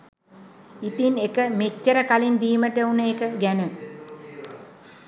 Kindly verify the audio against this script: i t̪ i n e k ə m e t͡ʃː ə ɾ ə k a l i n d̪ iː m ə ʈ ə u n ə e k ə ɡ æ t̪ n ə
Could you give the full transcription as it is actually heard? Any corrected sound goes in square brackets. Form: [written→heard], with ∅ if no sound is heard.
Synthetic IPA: i t̪ i n e k ə m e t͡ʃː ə ɾ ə k a l i n d̪ iː m ə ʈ ə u n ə e k ə ɡ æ [t̪→∅] n ə